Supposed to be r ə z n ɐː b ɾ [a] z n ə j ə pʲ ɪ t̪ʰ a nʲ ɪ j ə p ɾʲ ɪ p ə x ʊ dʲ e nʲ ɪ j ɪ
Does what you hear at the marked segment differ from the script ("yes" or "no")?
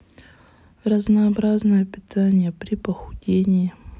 no